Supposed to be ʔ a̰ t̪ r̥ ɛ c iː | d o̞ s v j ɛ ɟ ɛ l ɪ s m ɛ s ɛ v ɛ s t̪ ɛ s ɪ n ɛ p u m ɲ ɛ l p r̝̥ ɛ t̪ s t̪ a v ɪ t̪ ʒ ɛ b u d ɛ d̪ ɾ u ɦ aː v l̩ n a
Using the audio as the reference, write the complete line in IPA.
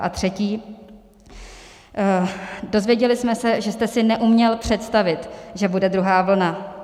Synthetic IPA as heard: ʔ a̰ t̪ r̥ ɛ c iː | d o̞ z v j ɛ ɟ ɛ l ɪ s m ɛ s ɛ ʒ ɛ s t̪ ɛ s ɪ n ɛ ʔ u m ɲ ɛ l p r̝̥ ɛ t̪ s t̪ a v ɪ t̪ ʒ ɛ b u d ɛ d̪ ɾ u ɦ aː v l̩ n a